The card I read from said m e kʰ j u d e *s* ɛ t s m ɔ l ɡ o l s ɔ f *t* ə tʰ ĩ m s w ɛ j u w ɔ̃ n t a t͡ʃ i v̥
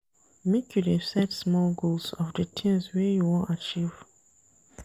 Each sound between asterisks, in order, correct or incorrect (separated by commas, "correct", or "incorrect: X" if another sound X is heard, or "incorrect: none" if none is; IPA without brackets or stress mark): correct, incorrect: d